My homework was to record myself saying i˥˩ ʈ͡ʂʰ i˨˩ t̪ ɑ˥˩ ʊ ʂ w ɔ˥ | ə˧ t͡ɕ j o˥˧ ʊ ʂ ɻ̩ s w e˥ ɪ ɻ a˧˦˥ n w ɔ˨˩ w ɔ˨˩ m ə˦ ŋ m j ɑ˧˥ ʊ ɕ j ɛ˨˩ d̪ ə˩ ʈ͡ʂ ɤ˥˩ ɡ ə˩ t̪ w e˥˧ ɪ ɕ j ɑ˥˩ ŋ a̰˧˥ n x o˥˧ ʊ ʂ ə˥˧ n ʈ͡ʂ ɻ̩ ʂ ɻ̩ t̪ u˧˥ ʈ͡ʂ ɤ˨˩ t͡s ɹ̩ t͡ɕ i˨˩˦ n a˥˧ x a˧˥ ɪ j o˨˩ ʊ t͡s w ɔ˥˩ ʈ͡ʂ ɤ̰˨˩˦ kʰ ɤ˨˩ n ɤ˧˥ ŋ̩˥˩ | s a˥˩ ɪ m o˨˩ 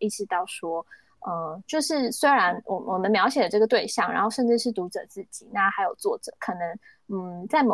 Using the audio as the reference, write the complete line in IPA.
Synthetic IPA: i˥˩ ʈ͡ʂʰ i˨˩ t̪ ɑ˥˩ ʊ ʂ w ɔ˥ | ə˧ t͡ɕ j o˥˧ ʊ ʂ ɻ̩ s w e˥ ɪ ɻ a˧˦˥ n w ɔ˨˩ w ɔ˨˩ m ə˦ n m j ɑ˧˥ ʊ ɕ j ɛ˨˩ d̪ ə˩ ʈ͡ʂ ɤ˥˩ ɡ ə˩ t̪ w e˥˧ ɪ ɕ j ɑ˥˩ ŋ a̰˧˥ n x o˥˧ ʊ ʂ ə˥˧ n ʈ͡ʂ ɻ̩ ʂ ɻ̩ t̪ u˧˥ ʈ͡ʂ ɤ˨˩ t͡s ɹ̩ t͡ɕ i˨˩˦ n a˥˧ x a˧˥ ɪ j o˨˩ ʊ t͡s w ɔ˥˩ ʈ͡ʂ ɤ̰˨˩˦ kʰ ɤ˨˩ n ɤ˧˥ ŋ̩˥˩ | t͡s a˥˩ ɪ m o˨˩